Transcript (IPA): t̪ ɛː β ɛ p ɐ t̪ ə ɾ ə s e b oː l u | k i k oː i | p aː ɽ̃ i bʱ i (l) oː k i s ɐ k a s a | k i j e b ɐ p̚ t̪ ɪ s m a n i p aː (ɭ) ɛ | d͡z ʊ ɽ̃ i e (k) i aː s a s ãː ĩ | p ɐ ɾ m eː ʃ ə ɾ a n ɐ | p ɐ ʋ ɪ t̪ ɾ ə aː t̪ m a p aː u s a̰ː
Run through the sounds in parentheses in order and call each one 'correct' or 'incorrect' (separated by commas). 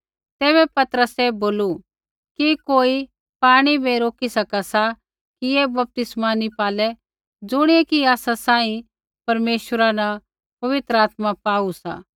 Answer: incorrect, incorrect, correct